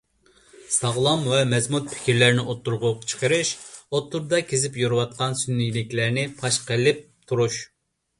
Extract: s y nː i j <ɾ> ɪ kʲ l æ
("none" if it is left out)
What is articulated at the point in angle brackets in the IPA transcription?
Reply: l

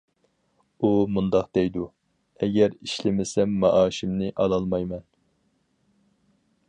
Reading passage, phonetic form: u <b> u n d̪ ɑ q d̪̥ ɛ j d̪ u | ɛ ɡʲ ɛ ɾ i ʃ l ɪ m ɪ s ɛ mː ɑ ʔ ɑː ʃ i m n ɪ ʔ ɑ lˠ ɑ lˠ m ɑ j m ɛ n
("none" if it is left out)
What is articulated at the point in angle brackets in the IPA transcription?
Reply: m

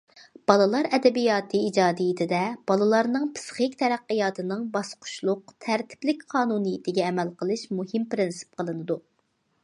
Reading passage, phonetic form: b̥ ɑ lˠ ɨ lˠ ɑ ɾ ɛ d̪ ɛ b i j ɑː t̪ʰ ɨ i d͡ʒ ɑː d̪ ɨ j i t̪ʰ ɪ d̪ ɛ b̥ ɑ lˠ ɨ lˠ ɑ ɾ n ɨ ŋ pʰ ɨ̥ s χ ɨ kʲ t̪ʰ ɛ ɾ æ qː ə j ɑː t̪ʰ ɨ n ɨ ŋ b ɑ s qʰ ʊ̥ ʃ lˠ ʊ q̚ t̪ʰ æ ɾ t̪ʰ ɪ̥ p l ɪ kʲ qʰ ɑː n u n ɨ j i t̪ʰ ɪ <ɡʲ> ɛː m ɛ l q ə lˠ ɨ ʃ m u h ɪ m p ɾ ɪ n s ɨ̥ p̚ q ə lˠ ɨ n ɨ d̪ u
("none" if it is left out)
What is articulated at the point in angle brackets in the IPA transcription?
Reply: ɡʲ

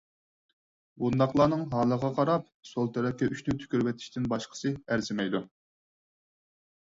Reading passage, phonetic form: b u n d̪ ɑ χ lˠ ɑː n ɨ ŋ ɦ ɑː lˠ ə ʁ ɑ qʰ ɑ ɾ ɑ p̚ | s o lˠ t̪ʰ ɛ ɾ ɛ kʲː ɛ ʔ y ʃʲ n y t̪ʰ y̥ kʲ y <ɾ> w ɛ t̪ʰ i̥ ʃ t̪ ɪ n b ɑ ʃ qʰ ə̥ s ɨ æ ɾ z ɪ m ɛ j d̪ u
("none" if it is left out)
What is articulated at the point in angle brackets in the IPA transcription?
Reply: ɾ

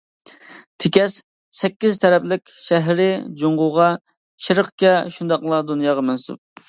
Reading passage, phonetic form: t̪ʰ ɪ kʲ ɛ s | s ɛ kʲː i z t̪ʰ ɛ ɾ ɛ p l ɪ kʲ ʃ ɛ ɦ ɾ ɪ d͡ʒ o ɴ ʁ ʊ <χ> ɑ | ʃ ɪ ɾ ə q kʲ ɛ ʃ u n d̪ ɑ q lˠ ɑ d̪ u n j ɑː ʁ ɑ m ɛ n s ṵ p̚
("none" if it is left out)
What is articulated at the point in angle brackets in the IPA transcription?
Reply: ʁ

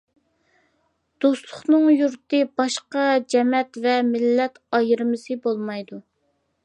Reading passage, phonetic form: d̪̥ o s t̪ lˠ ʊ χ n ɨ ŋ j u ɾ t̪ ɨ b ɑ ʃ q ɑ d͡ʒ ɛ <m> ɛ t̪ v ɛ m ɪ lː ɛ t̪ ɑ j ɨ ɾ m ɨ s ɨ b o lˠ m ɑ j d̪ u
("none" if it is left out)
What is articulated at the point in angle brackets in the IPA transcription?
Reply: m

